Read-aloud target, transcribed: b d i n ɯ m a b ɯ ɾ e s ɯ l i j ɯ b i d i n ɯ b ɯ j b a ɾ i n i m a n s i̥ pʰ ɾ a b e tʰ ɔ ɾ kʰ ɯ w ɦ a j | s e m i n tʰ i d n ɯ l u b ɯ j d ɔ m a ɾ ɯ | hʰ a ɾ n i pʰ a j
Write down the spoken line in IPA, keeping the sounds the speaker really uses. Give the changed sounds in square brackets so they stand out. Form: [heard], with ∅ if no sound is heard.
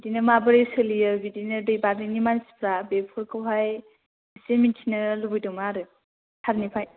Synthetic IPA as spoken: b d i n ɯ m a b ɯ ɾ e s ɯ l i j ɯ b i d i n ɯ [d] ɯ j b a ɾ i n i m a n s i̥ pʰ ɾ a b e [pʰ] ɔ ɾ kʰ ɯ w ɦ a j | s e m i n tʰ i [∅] n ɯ l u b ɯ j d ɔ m a ɾ ɯ | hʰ a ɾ n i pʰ a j